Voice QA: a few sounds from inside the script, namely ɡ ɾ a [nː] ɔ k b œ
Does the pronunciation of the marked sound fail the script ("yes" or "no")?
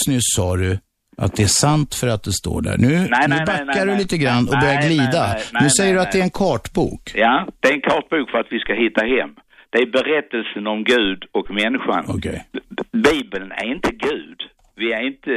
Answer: no